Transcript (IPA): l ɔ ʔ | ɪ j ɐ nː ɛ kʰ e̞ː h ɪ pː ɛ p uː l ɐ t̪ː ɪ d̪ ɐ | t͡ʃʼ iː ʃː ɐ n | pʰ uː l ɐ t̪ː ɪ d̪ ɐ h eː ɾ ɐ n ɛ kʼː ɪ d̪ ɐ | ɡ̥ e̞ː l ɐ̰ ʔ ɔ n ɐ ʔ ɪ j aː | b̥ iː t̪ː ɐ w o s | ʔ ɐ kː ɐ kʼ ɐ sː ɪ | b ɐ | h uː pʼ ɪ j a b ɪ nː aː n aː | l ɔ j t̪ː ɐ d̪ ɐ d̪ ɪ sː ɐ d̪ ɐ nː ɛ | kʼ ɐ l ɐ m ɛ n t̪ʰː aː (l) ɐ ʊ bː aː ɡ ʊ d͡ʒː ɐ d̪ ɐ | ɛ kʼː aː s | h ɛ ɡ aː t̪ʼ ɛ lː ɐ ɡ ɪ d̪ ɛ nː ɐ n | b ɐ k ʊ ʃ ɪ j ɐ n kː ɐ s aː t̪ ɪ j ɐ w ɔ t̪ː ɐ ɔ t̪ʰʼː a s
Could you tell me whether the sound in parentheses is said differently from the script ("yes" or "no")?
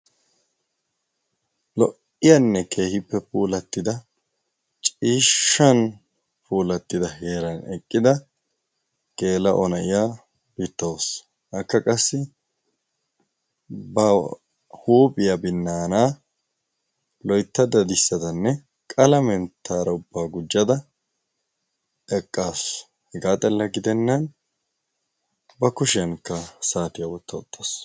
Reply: yes